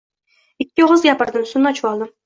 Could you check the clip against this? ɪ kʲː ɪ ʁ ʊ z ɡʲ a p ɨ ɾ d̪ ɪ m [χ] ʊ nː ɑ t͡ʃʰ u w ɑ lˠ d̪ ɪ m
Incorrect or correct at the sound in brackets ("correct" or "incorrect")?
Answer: incorrect